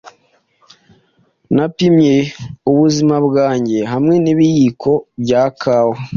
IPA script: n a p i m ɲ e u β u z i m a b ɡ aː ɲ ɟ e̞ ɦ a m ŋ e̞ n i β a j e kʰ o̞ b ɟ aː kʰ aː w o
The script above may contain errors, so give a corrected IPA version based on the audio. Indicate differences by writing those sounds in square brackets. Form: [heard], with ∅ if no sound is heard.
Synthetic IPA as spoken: n a p i m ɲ e u β u z i m a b ɡ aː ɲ ɟ e̞ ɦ a m ŋ e̞ n i β [i] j [i] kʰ o̞ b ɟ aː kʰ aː w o